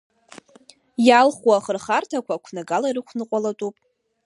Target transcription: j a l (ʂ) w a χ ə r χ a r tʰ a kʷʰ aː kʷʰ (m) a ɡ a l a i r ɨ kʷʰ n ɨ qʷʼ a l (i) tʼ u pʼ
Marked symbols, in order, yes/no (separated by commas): no, no, no